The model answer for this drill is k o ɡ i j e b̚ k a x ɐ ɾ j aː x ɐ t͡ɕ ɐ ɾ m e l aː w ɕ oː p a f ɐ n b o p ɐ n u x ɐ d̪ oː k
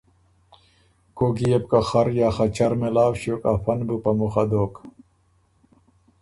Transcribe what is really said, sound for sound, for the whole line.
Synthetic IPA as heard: k o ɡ i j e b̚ k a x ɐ ɾ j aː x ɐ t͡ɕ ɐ ɾ m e l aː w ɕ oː k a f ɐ n b u p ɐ m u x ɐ d̪ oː k